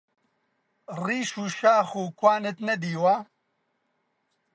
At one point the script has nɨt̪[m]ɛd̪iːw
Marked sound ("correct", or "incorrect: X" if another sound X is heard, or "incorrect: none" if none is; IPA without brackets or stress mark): incorrect: n